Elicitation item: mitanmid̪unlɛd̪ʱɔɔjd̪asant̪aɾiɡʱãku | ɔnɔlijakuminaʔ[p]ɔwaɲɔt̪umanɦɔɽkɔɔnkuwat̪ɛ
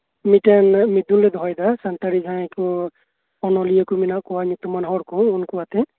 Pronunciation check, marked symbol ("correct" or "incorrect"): incorrect